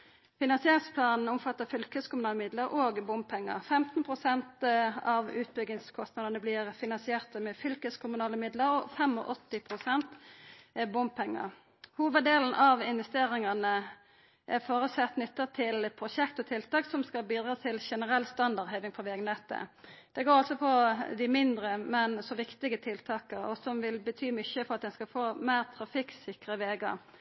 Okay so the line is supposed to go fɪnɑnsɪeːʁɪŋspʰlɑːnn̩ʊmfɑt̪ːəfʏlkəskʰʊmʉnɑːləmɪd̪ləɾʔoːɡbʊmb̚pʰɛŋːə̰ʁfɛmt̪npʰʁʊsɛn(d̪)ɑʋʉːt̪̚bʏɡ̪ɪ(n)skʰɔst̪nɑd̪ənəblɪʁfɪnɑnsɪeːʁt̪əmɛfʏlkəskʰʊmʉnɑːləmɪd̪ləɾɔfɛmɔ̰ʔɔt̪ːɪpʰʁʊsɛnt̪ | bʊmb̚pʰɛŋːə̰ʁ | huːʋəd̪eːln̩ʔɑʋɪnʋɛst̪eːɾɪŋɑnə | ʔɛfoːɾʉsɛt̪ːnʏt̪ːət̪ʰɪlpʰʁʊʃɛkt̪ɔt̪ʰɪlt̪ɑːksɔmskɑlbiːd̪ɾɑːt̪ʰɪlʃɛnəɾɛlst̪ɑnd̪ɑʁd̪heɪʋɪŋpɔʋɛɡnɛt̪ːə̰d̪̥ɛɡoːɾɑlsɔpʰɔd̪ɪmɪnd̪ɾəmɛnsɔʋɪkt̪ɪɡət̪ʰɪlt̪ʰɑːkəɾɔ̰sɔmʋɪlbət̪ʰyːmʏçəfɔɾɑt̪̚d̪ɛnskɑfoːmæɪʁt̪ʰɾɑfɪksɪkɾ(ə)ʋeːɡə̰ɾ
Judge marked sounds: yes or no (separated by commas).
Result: no, no, yes